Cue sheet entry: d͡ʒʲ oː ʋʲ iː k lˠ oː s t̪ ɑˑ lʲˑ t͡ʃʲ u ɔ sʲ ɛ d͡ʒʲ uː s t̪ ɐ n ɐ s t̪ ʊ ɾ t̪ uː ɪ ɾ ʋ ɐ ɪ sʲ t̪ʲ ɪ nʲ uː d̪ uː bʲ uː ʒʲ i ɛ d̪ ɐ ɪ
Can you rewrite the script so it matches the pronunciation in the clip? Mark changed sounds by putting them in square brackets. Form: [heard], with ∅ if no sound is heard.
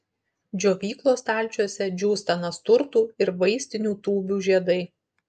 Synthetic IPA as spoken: d͡ʒʲ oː ʋʲ iː k lˠ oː s t̪ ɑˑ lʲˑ t͡ʃʲ u ɔ sʲ ɛ d͡ʒʲ uː s t̪ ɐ n ɐ s t̪ ʊ ɾ t̪ uː ɪ ɾ ʋ ɐ ɪ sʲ t̪ʲ ɪ nʲ uː [t̪] uː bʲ uː ʒʲ i ɛ d̪ ɐ ɪ